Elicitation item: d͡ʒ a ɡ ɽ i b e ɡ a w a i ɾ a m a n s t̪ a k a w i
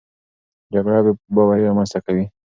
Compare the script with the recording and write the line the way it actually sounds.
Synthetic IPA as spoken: d͡ʒ a ɡ ɽ a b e b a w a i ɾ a m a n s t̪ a k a w i